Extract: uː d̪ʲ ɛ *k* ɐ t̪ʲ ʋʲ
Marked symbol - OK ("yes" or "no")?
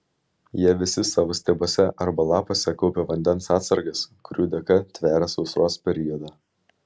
yes